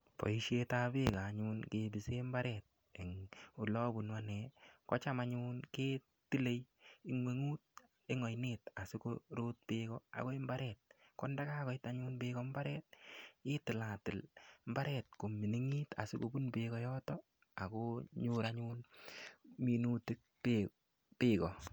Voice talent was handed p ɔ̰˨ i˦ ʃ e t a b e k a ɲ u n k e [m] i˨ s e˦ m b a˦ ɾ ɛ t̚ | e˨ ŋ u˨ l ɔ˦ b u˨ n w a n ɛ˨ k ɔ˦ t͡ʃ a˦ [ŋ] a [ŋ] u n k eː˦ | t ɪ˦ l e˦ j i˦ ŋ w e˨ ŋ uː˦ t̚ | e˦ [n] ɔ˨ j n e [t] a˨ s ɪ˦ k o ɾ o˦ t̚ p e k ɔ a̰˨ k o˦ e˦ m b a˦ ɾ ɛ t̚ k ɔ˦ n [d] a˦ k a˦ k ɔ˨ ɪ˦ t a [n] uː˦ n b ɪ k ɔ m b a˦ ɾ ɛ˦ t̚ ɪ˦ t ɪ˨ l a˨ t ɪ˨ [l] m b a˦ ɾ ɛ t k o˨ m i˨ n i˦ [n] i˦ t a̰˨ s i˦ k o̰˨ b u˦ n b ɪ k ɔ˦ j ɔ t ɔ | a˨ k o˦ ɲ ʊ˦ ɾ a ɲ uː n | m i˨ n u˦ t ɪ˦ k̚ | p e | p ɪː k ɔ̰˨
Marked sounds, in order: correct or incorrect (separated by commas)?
incorrect, incorrect, incorrect, incorrect, correct, correct, incorrect, correct, incorrect